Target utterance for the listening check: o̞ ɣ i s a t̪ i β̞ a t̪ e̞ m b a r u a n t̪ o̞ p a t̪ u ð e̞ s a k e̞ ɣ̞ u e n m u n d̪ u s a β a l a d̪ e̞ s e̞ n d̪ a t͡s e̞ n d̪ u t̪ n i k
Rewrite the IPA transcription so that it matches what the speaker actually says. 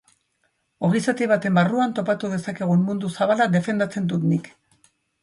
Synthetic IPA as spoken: o̞ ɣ i s a t̪ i β̞ a t̪ e̞ m b a r u a n t̪ o̞ p a t̪ u ð e̞ s a k e̞ ɣ̞ u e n m u n d̪ u s a β a l a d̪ e̞ f e̞ n d̪ a t͡s e̞ n d̪ u t̪ n i k